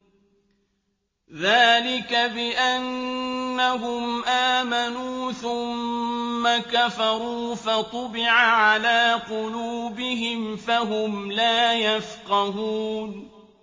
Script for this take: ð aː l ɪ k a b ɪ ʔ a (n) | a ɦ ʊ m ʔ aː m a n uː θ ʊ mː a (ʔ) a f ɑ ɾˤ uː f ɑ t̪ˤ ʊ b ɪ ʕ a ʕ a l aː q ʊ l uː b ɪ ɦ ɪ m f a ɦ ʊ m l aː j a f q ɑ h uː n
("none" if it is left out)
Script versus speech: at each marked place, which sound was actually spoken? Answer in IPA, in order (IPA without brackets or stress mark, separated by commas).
nː, k